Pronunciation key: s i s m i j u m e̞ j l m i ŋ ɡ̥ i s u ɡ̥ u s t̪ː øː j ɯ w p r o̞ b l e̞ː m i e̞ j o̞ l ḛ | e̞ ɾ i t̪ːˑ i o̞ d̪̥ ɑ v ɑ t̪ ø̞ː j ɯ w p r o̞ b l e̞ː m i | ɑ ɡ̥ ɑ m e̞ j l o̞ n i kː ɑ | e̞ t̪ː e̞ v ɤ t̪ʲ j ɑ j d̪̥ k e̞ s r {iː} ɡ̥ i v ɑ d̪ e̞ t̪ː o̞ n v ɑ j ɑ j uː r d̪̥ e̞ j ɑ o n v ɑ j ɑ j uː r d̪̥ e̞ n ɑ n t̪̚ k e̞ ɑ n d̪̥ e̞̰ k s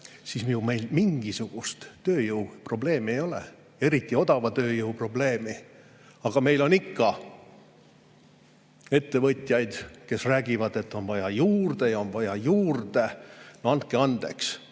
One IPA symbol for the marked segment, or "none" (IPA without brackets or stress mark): æː